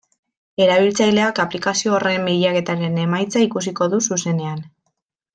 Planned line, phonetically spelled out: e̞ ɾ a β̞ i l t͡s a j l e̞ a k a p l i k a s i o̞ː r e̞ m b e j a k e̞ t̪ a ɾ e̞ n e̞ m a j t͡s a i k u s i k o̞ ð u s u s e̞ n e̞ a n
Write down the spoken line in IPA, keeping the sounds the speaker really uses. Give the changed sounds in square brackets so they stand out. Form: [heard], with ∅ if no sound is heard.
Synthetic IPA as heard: e̞ ɾ a β̞ i l t͡s a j l e̞ a k a p l i k a s i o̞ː r e̞ m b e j a k e̞ t̪ a ɾ e̞ n e̞ m a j t͡s a i k u s i k o̞ ð u s u s e̞ n e̞ a n